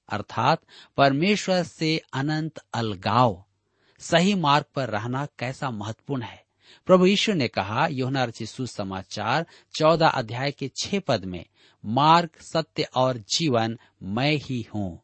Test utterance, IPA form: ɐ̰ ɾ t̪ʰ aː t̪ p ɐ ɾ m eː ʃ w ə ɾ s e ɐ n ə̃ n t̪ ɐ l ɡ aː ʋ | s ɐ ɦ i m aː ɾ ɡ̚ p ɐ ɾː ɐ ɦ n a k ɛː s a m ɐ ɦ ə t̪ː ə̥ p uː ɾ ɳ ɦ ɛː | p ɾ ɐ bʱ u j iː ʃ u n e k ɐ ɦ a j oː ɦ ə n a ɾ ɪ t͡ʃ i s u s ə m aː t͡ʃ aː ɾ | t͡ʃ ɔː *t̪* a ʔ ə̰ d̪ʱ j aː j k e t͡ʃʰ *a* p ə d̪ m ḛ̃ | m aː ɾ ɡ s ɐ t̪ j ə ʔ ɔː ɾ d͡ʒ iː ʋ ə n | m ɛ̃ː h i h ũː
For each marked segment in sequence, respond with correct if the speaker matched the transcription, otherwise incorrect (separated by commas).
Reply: incorrect, incorrect